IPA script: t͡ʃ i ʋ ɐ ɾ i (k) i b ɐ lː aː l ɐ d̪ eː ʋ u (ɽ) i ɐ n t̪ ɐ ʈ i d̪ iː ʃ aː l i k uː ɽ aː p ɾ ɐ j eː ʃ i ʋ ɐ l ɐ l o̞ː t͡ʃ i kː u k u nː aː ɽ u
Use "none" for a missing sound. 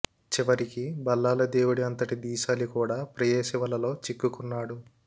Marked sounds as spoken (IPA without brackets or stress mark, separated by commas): k, ɽ